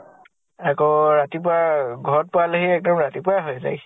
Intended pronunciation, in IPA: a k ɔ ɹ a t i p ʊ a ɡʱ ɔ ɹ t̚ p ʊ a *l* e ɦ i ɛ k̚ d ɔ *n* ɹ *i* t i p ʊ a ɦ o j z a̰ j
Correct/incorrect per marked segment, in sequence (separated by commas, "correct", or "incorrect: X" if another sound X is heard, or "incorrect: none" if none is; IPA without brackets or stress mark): correct, incorrect: m, incorrect: a